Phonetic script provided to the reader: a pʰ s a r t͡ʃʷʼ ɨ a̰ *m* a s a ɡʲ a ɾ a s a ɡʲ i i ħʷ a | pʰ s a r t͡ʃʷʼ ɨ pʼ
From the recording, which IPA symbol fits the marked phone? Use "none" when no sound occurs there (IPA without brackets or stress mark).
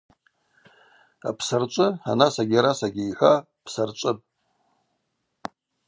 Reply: n